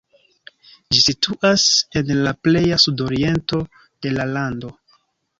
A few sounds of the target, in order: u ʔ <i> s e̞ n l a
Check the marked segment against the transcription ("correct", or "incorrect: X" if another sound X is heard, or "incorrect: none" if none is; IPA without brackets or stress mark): incorrect: a